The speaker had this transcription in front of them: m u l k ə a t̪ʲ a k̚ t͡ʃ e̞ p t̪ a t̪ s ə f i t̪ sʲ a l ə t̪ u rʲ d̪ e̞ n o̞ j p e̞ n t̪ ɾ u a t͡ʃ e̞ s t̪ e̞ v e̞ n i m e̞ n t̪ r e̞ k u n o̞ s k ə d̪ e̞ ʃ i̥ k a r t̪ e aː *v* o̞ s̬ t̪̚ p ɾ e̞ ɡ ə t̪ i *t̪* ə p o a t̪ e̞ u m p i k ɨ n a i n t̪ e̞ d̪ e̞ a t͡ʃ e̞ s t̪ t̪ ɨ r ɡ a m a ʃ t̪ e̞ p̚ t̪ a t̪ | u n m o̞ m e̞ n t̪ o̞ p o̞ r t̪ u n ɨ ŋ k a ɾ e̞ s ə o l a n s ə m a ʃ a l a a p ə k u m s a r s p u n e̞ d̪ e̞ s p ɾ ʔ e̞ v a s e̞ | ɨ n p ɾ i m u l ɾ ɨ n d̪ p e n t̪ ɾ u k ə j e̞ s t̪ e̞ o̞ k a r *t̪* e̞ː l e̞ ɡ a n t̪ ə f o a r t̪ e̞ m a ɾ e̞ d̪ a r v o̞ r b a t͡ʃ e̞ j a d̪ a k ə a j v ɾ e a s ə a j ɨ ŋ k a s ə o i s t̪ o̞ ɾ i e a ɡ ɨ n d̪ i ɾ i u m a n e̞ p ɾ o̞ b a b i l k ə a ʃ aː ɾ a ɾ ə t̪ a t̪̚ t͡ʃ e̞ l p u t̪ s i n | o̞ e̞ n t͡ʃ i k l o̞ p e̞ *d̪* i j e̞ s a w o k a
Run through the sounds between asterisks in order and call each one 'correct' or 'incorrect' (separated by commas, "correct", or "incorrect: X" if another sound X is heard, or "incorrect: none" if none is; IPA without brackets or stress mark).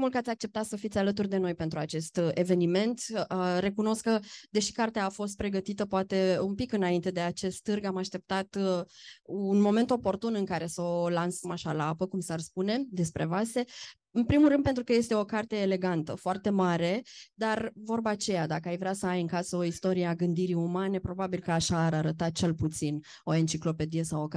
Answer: incorrect: f, correct, correct, correct